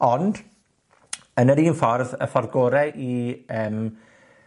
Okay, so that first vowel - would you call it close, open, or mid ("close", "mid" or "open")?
mid